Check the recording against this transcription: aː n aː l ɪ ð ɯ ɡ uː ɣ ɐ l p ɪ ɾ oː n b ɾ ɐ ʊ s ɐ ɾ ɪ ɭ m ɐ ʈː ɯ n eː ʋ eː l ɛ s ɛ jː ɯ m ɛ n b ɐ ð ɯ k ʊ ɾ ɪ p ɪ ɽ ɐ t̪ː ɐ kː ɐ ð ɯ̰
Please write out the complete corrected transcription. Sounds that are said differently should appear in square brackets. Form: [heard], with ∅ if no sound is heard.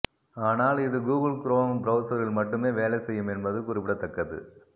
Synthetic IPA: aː n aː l ɪ ð ɯ ɡ uː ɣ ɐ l [k] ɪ ɾ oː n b ɾ ɐ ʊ s ɐ ɾ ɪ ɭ m ɐ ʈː ɯ [m] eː ʋ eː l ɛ s ɛ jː ɯ m ɛ n b ɐ ð ɯ k ʊ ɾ ɪ p ɪ ɽ ɐ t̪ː ɐ kː ɐ ð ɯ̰